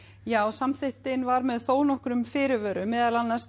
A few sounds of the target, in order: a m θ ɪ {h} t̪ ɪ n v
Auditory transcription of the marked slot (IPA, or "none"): h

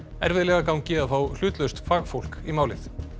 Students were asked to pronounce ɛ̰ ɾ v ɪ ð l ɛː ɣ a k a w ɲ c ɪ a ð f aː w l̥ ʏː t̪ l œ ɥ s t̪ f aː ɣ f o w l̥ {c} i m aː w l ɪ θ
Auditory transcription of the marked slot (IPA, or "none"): k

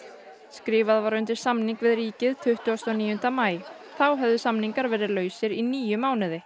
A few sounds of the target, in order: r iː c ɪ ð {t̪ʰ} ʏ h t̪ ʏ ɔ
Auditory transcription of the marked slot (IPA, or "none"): t̪ʰ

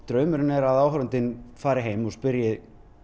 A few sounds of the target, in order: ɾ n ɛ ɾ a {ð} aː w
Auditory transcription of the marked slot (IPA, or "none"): ð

